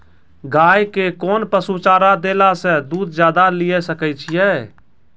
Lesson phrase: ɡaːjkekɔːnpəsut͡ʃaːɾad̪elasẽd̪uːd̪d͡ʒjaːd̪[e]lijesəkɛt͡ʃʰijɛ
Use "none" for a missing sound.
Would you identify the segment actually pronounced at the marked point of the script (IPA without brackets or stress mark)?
a